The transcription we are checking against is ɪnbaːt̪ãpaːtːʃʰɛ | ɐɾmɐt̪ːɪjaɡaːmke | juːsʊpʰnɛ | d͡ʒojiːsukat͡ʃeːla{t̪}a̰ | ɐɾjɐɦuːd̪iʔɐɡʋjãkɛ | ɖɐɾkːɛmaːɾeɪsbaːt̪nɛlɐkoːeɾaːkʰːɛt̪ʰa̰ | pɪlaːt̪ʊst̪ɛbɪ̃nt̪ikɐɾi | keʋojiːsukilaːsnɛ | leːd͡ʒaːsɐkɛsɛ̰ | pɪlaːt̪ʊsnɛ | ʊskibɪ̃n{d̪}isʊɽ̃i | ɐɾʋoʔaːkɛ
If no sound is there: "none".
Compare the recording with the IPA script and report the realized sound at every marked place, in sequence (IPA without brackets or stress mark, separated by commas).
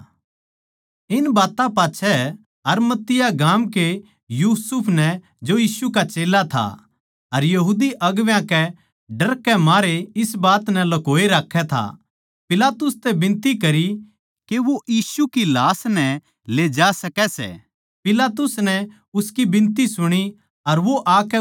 t̪ʰ, t̪